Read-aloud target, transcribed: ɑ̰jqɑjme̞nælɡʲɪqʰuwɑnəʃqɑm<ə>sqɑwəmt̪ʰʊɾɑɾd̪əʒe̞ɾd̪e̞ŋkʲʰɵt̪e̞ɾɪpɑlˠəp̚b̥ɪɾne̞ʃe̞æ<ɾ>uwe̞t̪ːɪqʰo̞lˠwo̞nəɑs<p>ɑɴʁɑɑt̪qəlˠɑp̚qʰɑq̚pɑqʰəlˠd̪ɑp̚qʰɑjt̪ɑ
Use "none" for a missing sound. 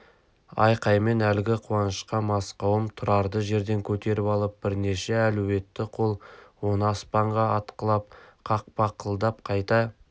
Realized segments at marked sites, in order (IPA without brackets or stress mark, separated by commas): ɑ, l, p